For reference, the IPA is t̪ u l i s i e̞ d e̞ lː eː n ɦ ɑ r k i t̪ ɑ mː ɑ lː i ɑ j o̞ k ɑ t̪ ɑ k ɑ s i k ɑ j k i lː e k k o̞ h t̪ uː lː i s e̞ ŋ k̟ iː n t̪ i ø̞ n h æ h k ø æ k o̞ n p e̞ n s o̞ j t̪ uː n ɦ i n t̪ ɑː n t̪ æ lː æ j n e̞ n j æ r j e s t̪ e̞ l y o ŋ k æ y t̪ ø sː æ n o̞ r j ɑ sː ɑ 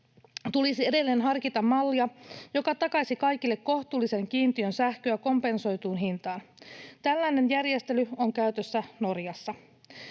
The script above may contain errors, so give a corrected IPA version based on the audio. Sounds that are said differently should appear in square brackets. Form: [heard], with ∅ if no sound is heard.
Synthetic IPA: t̪ u l i s i e̞ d e̞ lː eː n ɦ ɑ r k i t̪ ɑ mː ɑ lː i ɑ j o̞ k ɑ t̪ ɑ k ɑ s i k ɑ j k i lː e k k o̞ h t̪ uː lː i s e̞ ŋ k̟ iː n t̪ i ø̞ n [s] æ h k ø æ k o̞ [m] p e̞ n s o̞ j t̪ uː n ɦ i n t̪ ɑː n t̪ æ lː æ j n e̞ n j æ r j e s t̪ e̞ l y o ŋ k æ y t̪ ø sː æ n o̞ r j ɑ sː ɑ